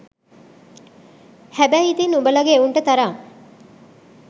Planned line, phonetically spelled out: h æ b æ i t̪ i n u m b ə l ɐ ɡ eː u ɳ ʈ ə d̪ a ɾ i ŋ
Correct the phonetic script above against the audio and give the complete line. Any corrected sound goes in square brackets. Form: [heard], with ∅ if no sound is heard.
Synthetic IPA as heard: h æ b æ i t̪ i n u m b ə l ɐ ɡ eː u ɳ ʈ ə [t̪] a ɾ [a] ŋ